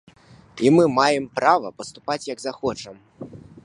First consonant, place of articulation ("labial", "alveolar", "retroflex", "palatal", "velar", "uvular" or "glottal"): labial